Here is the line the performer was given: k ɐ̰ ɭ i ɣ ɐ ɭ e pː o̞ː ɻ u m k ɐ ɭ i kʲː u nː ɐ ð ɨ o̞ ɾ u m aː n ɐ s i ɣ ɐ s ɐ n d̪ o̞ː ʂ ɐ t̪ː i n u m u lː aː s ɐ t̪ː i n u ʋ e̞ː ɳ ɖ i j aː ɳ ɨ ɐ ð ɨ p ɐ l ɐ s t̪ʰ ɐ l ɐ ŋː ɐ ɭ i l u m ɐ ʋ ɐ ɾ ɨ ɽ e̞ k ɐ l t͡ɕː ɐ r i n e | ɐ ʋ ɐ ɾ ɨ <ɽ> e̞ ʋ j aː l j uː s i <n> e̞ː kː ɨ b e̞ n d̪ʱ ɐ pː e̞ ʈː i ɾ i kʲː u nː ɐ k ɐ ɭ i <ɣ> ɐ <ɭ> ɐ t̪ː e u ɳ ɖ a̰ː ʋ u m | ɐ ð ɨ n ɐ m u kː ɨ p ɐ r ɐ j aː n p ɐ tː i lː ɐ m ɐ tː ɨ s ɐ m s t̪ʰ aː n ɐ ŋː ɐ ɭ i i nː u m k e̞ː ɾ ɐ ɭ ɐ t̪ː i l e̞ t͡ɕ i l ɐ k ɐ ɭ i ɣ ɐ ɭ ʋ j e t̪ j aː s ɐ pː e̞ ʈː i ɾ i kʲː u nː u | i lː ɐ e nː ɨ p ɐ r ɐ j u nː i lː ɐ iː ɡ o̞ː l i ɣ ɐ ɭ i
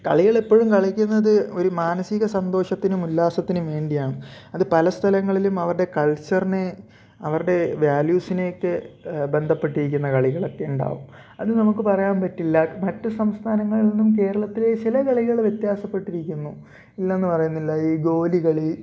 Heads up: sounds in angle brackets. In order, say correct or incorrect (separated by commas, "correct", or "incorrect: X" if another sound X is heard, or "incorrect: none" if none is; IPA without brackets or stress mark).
correct, correct, correct, correct